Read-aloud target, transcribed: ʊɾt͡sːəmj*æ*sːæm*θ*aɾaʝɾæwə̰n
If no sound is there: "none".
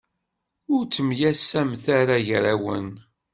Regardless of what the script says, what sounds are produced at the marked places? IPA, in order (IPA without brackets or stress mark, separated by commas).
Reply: æ, θ